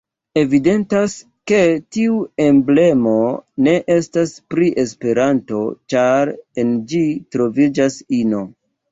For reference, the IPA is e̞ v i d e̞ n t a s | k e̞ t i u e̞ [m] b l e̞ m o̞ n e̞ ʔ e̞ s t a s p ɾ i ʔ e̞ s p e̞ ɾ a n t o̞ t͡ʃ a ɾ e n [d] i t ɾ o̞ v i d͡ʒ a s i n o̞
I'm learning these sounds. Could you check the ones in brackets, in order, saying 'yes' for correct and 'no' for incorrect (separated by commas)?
yes, no